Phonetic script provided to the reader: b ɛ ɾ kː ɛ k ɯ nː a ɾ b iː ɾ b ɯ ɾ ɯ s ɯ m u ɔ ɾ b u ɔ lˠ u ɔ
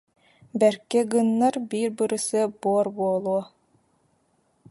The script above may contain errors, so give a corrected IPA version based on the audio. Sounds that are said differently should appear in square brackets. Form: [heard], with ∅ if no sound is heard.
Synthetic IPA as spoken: b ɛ ɾ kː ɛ [ɡ] ɯ nː a ɾ b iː ɾ b ɯ ɾ ɯ s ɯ [b] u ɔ ɾ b u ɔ lˠ u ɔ